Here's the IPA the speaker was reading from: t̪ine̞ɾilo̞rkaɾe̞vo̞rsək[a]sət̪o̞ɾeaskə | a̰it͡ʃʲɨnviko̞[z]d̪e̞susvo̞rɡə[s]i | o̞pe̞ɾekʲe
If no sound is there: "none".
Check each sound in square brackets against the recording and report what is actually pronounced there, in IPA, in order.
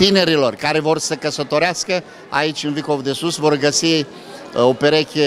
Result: ə, v, s

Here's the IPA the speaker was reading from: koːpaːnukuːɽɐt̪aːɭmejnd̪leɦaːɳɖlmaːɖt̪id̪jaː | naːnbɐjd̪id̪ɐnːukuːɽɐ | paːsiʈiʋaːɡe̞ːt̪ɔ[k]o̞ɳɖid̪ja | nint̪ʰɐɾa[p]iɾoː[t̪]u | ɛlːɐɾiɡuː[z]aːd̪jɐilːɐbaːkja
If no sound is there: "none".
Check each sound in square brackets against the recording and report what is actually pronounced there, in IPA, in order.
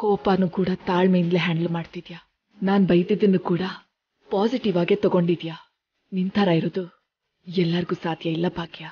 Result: ɡ, none, d̪, s

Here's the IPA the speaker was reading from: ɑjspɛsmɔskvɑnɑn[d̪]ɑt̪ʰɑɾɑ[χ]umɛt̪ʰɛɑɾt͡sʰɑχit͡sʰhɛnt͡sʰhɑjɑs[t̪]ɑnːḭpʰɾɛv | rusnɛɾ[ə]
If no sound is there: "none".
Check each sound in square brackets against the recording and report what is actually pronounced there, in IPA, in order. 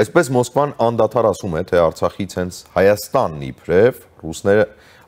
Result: d̪, s, t̪, ə

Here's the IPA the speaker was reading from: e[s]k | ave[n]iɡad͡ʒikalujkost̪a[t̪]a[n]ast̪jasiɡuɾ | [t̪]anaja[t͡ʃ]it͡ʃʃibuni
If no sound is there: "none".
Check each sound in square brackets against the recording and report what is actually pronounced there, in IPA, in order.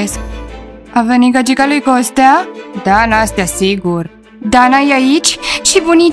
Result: s, n, d̪, n, d̪, none

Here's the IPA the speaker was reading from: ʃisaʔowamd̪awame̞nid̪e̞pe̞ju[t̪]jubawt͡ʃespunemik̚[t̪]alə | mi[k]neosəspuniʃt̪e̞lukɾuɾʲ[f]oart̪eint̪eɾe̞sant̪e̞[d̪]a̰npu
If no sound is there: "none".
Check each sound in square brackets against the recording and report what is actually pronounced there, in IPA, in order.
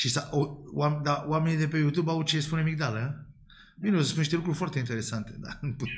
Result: t̪, d̪, none, f, d̪

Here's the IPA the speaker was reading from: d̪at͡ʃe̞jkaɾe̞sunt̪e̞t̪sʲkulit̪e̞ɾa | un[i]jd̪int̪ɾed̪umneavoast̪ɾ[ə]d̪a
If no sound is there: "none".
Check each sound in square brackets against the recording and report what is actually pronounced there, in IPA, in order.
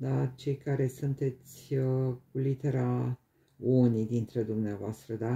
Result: i, ə

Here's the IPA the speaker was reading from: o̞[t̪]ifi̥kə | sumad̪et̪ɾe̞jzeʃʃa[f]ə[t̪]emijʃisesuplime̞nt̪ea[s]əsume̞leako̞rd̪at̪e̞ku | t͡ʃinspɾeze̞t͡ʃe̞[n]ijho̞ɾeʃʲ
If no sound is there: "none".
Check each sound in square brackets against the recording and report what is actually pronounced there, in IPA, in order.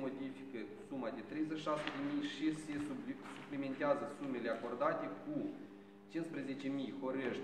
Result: d̪, s, d̪, z, m

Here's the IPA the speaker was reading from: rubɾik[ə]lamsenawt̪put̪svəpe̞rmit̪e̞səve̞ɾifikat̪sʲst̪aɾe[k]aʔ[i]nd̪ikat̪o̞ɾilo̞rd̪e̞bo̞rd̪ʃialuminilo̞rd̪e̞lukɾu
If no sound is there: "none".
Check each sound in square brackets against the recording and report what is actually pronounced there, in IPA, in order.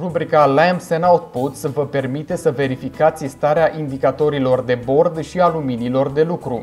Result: a, none, i

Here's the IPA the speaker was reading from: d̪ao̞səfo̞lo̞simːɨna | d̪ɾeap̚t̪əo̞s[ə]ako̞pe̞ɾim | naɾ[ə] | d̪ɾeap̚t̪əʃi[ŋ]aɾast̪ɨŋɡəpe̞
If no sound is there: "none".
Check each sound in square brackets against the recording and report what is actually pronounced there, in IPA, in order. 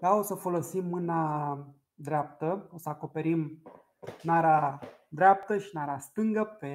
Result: ə, a, n

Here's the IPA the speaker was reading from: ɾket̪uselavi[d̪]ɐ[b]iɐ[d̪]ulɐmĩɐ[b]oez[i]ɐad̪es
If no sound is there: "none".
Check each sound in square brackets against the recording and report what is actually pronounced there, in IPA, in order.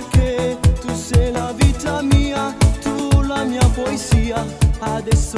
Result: t̪, m, t̪, p, i

